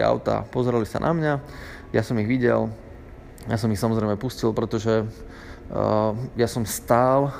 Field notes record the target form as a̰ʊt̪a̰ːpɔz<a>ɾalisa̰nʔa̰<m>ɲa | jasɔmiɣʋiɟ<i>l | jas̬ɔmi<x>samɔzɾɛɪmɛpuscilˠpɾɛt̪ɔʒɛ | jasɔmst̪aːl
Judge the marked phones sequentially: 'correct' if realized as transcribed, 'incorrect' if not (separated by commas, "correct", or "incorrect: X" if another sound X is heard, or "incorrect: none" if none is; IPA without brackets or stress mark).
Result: incorrect: ɛ, correct, incorrect: ɛ, correct